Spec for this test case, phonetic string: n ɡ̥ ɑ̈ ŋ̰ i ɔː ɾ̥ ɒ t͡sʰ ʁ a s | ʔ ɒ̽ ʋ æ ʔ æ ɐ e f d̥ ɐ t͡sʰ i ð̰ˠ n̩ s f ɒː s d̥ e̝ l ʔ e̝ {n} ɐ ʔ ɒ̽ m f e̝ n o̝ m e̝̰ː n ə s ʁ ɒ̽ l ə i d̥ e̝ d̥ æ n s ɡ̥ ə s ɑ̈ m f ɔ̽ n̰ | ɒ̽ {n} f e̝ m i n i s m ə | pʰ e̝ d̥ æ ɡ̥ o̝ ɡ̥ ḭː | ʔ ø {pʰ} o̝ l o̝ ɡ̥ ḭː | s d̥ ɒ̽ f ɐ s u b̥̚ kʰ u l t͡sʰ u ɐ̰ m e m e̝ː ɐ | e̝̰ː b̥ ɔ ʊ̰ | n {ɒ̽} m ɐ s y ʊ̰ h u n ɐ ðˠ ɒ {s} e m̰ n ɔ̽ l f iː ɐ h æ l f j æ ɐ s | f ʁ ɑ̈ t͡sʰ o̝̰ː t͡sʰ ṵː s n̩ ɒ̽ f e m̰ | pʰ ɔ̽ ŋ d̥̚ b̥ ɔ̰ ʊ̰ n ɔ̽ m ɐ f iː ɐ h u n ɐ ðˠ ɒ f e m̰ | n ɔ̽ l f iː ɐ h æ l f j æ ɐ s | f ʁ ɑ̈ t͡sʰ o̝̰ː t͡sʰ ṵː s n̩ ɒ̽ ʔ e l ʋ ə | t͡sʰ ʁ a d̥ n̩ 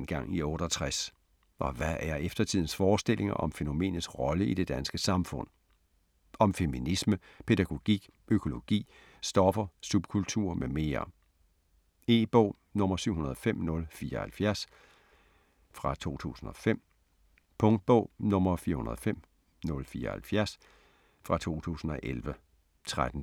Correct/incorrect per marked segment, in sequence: incorrect, incorrect, incorrect, incorrect, incorrect

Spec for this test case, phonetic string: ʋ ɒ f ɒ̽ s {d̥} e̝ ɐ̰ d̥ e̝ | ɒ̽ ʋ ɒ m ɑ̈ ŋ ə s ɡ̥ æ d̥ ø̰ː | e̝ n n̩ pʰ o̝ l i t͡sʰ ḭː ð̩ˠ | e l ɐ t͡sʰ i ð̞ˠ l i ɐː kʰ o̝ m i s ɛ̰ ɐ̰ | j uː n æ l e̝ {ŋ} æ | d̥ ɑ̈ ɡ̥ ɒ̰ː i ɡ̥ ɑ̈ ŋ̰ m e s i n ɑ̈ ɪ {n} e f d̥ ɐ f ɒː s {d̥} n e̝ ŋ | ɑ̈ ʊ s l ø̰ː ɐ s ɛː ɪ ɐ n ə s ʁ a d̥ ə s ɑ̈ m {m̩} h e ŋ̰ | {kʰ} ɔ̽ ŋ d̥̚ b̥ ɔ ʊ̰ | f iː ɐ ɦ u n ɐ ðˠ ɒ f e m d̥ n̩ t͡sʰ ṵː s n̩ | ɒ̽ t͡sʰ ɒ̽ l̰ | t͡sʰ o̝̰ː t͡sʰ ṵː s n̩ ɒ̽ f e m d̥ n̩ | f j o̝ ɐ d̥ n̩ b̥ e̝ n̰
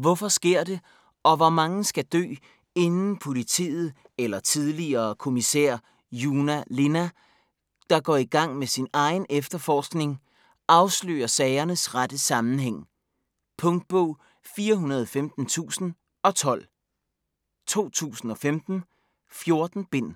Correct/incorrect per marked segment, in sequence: incorrect, incorrect, correct, incorrect, incorrect, incorrect

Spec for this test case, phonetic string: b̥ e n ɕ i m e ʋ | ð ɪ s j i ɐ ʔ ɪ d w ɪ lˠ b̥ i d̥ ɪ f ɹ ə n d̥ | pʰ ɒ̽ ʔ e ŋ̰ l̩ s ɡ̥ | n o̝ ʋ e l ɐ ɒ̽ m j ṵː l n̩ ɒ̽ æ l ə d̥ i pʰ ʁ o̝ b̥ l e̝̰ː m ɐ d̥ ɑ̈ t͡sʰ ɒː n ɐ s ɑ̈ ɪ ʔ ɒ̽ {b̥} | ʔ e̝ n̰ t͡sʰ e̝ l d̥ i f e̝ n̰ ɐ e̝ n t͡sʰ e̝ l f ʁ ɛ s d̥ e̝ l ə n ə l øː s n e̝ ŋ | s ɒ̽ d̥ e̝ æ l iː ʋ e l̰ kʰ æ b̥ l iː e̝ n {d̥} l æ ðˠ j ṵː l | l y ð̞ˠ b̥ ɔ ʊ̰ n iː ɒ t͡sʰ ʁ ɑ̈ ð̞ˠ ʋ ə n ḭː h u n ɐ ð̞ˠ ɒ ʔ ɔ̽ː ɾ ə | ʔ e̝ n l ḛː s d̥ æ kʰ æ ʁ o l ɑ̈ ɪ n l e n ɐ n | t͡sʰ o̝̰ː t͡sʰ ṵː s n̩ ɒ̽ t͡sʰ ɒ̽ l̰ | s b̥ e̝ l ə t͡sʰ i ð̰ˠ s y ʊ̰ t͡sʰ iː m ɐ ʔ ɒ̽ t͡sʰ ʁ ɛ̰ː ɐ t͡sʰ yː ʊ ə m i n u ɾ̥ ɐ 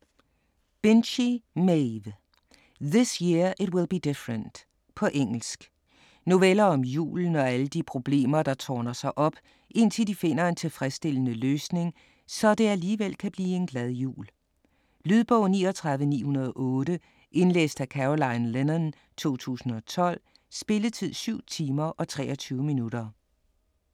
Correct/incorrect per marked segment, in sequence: correct, incorrect

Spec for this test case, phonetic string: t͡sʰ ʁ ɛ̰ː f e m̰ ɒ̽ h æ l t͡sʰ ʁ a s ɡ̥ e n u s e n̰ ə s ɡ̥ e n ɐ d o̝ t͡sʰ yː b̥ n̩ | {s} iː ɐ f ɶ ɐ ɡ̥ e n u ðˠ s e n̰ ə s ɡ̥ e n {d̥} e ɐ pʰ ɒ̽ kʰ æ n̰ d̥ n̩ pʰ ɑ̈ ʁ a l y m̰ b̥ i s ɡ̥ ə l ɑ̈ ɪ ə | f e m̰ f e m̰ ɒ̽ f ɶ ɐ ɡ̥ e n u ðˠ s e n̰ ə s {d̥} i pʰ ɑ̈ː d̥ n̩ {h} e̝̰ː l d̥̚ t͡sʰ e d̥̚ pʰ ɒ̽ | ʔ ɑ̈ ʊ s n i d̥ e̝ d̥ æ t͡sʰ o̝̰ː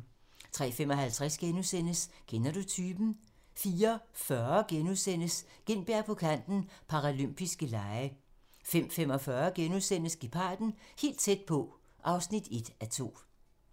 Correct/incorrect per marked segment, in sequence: incorrect, incorrect, incorrect, correct

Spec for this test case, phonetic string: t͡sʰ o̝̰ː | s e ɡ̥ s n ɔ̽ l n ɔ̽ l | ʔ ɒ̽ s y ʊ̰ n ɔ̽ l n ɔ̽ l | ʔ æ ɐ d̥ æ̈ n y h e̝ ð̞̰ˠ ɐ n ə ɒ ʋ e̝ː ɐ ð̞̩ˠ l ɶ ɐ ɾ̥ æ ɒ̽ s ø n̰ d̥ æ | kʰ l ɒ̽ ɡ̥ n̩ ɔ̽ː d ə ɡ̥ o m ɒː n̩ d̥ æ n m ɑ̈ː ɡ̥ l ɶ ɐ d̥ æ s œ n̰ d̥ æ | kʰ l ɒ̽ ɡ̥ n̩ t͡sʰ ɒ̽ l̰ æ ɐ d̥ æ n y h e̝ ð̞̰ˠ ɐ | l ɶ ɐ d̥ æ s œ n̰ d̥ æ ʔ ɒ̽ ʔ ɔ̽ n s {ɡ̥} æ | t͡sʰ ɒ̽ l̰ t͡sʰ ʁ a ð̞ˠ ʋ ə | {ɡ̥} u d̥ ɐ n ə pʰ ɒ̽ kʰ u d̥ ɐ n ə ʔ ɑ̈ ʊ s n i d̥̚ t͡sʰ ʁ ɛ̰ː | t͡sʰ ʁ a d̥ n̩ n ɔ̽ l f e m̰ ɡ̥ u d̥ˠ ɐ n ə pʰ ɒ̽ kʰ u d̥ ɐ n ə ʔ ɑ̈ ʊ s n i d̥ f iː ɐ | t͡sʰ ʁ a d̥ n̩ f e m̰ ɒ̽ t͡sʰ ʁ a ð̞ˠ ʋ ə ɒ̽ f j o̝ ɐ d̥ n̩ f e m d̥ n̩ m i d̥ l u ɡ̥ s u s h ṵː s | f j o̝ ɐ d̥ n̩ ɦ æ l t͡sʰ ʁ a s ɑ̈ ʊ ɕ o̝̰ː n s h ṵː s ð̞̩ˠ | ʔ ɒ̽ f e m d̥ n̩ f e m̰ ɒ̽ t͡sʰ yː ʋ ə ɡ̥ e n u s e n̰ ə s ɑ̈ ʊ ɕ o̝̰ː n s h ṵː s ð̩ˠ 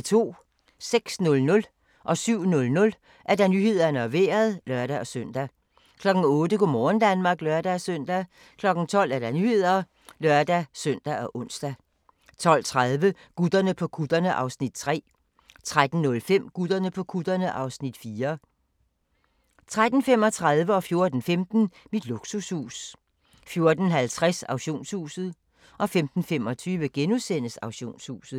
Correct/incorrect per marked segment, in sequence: incorrect, correct

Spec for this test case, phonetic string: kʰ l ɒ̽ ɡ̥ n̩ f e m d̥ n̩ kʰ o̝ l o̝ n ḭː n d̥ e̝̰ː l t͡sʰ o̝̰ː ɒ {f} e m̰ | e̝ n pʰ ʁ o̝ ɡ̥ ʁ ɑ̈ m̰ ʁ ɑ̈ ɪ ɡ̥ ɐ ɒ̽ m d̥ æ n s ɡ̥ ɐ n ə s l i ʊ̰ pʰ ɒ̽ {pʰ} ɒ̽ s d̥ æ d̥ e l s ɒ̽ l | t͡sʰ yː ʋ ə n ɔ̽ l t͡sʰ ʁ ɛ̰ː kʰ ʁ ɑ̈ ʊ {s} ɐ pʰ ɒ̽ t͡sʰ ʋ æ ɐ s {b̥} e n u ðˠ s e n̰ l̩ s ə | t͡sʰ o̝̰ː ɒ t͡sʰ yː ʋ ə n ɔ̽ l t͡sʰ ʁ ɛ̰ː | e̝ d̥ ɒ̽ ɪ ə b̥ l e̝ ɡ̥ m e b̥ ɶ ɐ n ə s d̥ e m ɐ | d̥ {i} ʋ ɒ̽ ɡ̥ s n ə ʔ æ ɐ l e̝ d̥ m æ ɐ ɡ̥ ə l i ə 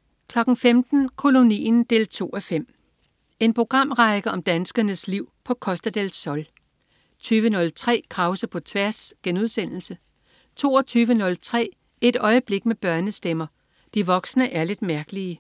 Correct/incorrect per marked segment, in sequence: correct, incorrect, correct, incorrect, correct

